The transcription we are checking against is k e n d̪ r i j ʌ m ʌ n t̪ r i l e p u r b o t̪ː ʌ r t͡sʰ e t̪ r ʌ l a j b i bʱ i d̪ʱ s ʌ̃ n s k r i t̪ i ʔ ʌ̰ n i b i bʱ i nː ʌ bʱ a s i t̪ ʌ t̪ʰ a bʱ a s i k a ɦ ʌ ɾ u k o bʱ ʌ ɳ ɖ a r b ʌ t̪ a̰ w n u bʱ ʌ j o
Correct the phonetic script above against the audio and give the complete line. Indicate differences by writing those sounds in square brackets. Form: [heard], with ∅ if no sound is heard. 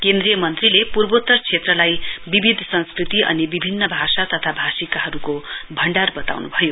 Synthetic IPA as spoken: k e n d̪ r i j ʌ m ʌ n t̪ r i l e p u r b o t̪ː ʌ r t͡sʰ e t̪ r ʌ l a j b i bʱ i d̪ʱ s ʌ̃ n s k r i t̪ i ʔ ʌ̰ n i b i bʱ i nː ʌ bʱ a s [a] t̪ ʌ t̪ʰ a bʱ a s i k a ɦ ʌ ɾ u k o bʱ ʌ ɳ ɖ a r b ʌ t̪ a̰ w n u bʱ ʌ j o